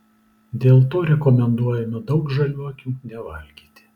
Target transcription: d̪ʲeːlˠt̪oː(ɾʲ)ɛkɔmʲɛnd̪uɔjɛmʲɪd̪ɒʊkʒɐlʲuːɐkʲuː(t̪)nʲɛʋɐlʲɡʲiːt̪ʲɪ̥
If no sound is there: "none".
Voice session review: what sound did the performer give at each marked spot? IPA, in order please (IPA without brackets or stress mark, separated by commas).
ɾʲ, none